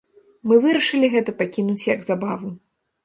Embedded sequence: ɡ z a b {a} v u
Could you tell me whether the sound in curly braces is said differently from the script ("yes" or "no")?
no